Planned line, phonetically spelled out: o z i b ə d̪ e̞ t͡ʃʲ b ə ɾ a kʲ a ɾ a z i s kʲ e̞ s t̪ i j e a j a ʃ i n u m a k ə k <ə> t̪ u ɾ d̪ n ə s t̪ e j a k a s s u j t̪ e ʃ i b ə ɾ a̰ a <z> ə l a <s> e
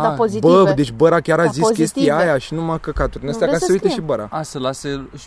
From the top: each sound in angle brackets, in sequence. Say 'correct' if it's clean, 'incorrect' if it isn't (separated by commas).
incorrect, incorrect, correct